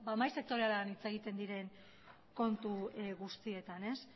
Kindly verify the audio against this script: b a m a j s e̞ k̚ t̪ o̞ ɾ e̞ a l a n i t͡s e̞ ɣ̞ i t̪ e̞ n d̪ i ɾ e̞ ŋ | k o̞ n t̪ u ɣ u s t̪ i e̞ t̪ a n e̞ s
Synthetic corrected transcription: b a m a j s e̞ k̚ t̪ o̞ ɾ e̞ a l a n i t͡s e̞ ɣ̞ i t̪ e̞ n d̪ i ɾ e̞ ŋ | k o̞ n t̪ u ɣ u s t̪ i e̞ t̪ a n e̞ s